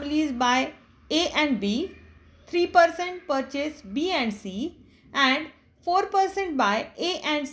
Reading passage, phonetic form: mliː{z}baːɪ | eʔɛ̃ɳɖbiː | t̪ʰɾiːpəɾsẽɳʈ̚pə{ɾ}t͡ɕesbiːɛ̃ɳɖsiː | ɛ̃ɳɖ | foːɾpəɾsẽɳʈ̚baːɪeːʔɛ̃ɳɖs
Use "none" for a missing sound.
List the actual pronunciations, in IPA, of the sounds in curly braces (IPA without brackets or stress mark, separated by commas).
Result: z, ɾ